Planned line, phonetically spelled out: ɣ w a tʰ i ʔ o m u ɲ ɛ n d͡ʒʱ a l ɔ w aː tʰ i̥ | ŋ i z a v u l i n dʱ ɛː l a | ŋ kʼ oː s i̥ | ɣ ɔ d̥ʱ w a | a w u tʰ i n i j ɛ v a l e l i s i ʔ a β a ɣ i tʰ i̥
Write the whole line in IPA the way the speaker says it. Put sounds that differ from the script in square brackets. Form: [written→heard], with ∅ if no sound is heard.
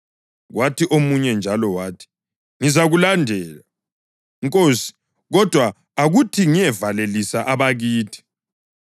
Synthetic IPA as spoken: ɣ w a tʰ i ʔ o m u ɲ ɛ n d͡ʒʱ a l ɔ w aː tʰ i̥ | ŋ i z a [v→ɣ] u l [i→a] n dʱ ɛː l a | ŋ kʼ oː s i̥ | ɣ ɔ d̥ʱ w a | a [w→ɣ] u tʰ i [n→ŋ] i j ɛ v a l e l i s [i→a] ʔ a β a ɣ [i→iː] tʰ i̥

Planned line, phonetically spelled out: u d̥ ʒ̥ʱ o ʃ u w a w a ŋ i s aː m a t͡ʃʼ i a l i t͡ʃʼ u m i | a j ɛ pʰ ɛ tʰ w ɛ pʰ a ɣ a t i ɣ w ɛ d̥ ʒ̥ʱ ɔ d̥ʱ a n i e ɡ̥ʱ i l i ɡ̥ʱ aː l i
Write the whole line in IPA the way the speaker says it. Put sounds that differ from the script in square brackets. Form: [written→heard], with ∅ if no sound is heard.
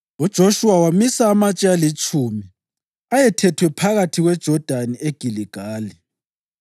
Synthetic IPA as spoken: u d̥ ʒ̥ʱ o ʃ u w a w a [ŋ→m] i s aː m a t͡ʃʼ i a l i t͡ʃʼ u m i | a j ɛ [pʰ→tʰ] ɛ tʰ w ɛ pʰ a ɣ a [t→tʰ] i ɣ w ɛ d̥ ʒ̥ʱ ɔ d̥ʱ a n i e ɡ̥ʱ i l i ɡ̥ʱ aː l i

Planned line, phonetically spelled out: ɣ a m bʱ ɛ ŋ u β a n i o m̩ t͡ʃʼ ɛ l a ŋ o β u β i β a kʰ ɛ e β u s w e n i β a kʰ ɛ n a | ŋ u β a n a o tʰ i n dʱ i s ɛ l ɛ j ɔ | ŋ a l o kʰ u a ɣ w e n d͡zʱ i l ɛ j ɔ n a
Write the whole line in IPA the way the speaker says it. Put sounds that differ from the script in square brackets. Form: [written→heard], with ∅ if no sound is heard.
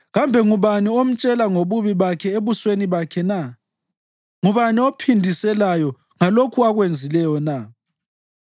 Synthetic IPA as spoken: ɣ a m bʱ ɛ ŋ u β a n i o m̩ t͡ʃʼ ɛ l a ŋ o β u β i β a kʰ ɛ e β u s w e n i β a kʰ ɛ n a | ŋ u β a n [a→i] o [tʰ→pʰ] i n dʱ i s ɛ l [ɛ→a] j ɔ | ŋ a l o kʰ u a ɣ w e n d͡zʱ i l ɛ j ɔ n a

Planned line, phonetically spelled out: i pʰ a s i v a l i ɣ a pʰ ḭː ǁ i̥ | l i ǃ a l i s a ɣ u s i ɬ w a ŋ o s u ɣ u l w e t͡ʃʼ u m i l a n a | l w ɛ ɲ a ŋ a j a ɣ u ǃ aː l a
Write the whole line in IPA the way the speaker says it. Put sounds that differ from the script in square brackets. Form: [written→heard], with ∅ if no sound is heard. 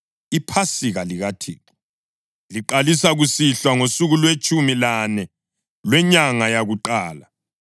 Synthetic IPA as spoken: i pʰ a s i [v→ɣ] a l i ɣ a [pʰ→tʰ] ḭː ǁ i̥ | l i ǃ a l i s a ɣ u s i ɬ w a ŋ o s u ɣ u l w e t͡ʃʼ u m i l a n [a→ɛ] | l w ɛ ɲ a ŋ a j a ɣ u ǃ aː l a

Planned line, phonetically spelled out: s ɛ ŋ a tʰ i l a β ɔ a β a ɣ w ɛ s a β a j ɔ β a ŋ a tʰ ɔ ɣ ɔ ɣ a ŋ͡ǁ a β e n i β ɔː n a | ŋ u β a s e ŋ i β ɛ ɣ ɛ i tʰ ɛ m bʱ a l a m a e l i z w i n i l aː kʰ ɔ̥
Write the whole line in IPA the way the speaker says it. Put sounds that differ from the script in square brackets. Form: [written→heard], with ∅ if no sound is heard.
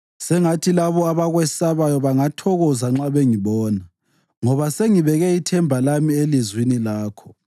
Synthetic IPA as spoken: s ɛ ŋ a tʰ i l a β ɔ a β a ɣ w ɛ s a β a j ɔ β a ŋ a tʰ ɔ ɣ ɔ [ɣ→z] a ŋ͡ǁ a β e [n→ŋ] i β ɔː n a | ŋ [u→ɔ] β a s e ŋ i β ɛ ɣ ɛ i tʰ ɛ m bʱ a l a m [a→i] e l i z w i n i l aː kʰ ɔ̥

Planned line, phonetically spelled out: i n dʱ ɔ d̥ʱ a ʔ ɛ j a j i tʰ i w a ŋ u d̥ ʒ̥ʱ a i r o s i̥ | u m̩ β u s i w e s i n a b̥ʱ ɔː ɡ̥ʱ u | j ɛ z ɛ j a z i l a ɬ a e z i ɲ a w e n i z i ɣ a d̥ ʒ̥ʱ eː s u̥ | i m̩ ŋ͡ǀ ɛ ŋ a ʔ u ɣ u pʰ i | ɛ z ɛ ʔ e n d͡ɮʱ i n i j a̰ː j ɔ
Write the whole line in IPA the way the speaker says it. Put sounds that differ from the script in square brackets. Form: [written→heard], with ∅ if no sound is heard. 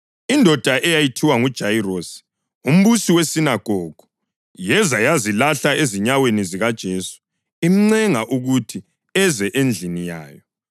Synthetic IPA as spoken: i n dʱ ɔ d̥ʱ a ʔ ɛ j a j i tʰ i w a ŋ u d̥ ʒ̥ʱ a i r o s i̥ | u m̩ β u s i w e s i n a [b̥ʱ→ɡ̥ʱ] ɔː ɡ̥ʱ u | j ɛ z [ɛ→a] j a z i l a ɬ a e z i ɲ a w e n i z i ɣ a d̥ ʒ̥ʱ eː s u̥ | i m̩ ŋ͡ǀ ɛ ŋ a ʔ u ɣ u [pʰ→tʰ] i | ɛ z ɛ ʔ e n d͡ɮʱ i n i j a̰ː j ɔ

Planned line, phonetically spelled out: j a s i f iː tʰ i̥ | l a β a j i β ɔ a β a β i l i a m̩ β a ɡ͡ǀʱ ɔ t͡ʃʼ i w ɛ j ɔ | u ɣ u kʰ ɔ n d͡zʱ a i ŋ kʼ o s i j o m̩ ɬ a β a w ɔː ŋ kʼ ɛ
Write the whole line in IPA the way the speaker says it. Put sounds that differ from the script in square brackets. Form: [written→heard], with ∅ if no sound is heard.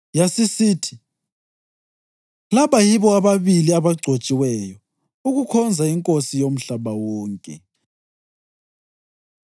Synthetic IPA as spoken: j a s i [f→s] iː tʰ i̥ | l a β a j i β ɔ a β a β i l i a [m̩→∅] β a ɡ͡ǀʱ [ɔ→o] t͡ʃʼ i w ɛ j ɔ | u ɣ u kʰ ɔ n d͡zʱ a i ŋ kʼ o s i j o m̩ ɬ a β a w ɔː ŋ kʼ ɛ

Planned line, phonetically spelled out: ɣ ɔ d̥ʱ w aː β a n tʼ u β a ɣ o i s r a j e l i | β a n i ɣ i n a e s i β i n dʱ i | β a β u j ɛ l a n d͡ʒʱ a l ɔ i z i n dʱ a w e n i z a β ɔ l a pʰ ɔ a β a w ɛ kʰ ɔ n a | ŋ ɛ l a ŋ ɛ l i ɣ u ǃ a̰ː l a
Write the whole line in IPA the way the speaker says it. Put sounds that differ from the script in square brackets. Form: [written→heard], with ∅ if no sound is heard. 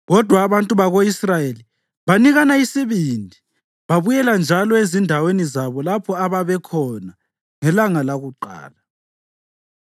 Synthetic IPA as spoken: ɣ ɔ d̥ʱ w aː β a n tʼ u β a ɣ o i s r a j e l i | β a n i ɣ [i→a] n a [e→i] s i β i n dʱ i | β a β u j ɛ l a n d͡ʒʱ a l ɔ [i→e] z i n dʱ a w e n i z a β ɔ l a pʰ ɔ a β a [w→β] ɛ kʰ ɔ n a | ŋ ɛ l a ŋ [ɛ→a] l [i→a] ɣ u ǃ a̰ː l a

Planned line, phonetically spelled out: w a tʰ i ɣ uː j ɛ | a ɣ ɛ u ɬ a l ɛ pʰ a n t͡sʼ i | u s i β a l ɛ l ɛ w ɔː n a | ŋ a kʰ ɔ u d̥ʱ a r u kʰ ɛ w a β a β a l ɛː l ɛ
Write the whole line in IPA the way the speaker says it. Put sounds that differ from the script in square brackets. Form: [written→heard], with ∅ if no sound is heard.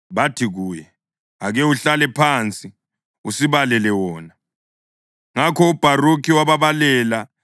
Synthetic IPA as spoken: [w→β] a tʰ i ɣ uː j ɛ | a ɣ ɛ u ɬ a l ɛ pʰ a n t͡sʼ i | u s i β a l ɛ l ɛ w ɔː n a | ŋ a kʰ ɔ u [d̥ʱ→b̥ʱ] a r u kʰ [ɛ→i] w a β a β a l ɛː l [ɛ→a]

